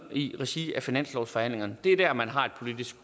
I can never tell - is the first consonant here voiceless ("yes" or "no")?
no